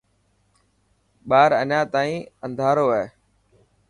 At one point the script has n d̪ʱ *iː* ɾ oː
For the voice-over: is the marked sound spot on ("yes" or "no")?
no